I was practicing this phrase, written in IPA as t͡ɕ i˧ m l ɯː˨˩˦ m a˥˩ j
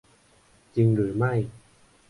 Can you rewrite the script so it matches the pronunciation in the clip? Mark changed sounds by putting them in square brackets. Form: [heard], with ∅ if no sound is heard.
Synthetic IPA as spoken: t͡ɕ i˧ [ŋ] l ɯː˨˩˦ m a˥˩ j

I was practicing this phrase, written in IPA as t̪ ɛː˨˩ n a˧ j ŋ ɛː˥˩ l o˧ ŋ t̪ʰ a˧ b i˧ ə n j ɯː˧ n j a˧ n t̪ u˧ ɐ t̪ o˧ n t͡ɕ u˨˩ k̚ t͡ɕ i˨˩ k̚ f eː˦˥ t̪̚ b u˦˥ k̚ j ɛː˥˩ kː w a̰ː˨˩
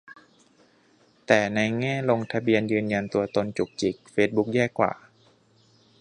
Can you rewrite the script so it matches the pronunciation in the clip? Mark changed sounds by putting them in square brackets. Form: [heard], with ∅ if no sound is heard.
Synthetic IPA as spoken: t̪ ɛː˨˩ n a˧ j ŋ ɛː˥˩ l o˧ ŋ t̪ʰ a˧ b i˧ ə n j ɯː˧ n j a˧ n t̪ u˧ ɐ t̪ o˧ n t͡ɕ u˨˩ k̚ t͡ɕ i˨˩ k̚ f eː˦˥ t̪̚ b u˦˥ k̚ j ɛː˥˩ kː w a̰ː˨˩

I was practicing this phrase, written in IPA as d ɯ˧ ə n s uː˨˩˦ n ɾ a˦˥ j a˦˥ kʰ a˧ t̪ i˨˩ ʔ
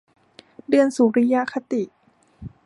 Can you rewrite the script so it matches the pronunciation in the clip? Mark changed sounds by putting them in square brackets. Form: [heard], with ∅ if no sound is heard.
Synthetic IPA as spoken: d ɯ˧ ə n s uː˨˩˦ [∅] ɾ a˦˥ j a˦˥ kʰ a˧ t̪ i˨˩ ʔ

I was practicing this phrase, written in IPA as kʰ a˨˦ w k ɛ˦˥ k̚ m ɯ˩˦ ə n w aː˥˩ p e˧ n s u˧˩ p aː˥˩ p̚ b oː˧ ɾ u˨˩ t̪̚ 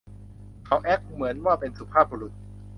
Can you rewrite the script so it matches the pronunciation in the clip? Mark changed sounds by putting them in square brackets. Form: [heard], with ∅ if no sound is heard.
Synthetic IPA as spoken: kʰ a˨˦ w [ʔ] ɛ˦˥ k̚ m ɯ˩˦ ə n w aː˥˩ p e˧ n s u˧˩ [pʰ] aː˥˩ p̚ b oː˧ ɾ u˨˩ t̪̚

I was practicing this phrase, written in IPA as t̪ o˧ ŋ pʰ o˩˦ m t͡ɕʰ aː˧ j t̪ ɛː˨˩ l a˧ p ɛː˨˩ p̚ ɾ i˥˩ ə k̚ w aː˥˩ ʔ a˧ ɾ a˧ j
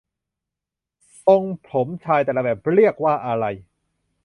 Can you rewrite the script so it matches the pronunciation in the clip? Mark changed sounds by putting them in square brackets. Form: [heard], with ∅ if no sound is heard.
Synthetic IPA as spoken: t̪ o˧ ŋ pʰ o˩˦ m t͡ɕʰ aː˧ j t̪ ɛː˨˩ l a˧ [b] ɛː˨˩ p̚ ɾ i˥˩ ə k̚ w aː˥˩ ʔ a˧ ɾ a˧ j

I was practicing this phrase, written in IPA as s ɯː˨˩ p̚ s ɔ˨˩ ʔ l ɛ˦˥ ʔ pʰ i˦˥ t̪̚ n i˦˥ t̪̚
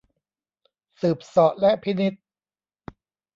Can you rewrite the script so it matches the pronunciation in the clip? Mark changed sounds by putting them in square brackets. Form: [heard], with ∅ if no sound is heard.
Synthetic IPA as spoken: s ɯː˨˩ p̚ s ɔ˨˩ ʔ l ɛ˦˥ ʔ pʰ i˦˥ [∅] n i˦˥ t̪̚

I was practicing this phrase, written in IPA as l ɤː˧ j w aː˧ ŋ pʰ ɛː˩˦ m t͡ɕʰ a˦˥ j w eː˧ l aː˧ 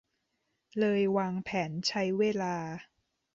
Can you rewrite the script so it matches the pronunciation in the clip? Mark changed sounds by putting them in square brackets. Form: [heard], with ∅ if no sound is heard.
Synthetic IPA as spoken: l ɤː˧ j w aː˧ ŋ pʰ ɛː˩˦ [n] t͡ɕʰ a˦˥ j w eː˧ l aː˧

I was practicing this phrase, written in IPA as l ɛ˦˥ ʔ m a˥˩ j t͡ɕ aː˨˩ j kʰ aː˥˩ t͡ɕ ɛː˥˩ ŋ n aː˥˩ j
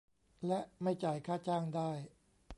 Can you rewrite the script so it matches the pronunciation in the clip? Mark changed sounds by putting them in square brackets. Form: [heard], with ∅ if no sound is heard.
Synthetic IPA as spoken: l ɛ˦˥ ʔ m a˥˩ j t͡ɕ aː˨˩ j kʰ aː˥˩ t͡ɕ [aː˥˩] ŋ [d] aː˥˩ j

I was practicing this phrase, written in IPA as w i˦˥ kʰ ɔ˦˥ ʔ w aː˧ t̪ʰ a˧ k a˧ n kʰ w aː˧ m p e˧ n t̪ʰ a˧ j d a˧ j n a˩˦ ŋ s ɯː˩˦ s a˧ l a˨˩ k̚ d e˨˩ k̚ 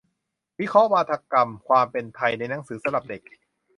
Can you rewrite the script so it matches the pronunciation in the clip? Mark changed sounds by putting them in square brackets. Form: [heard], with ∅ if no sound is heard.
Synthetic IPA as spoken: w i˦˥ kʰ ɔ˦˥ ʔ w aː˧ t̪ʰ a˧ k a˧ [m] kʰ w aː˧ m p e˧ n t̪ʰ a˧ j [n] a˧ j n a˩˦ ŋ s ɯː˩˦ s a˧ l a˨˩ [p̚] d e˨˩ k̚

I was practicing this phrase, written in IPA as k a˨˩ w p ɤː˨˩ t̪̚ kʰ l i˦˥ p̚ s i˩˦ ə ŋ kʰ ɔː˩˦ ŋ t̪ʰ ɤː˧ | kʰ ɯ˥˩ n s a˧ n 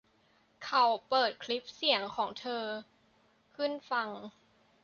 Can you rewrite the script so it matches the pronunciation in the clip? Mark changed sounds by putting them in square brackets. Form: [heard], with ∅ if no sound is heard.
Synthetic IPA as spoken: [kʰ] a˨˩ w p ɤː˨˩ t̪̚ kʰ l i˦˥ p̚ s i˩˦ ə ŋ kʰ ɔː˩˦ ŋ t̪ʰ ɤː˧ | kʰ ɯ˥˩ n [f] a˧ [ŋ]

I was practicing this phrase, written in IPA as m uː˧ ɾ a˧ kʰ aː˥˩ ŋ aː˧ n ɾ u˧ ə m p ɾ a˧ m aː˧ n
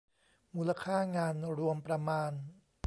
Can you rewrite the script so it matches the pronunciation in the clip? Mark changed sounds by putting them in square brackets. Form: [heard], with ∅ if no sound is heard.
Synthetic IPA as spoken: m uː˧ [l] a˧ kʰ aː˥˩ ŋ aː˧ n ɾ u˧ ə m p ɾ a˧ m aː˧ n

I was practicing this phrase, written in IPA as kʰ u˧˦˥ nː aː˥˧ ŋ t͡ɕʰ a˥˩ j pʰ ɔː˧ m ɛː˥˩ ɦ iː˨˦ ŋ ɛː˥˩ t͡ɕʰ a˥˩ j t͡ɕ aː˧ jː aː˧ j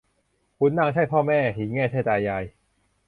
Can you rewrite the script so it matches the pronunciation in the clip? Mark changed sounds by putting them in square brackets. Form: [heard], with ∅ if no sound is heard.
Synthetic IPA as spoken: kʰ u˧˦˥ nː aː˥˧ ŋ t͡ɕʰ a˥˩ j pʰ [ɔː˥˩] m ɛː˥˩ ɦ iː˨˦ ŋ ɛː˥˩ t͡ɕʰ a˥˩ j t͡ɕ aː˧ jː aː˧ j

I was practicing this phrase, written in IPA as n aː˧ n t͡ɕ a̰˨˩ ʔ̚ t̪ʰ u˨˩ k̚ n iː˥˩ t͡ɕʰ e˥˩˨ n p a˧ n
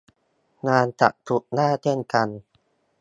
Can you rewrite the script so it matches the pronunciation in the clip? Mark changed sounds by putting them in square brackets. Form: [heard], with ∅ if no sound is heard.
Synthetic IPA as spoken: n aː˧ n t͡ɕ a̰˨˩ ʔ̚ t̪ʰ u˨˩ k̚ n [aː˥˩] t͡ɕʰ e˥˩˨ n [k] a˧ n

